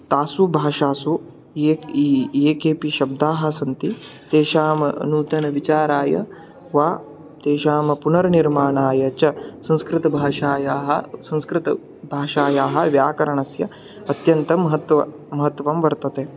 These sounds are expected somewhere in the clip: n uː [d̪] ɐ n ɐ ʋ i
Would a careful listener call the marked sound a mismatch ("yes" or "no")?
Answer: yes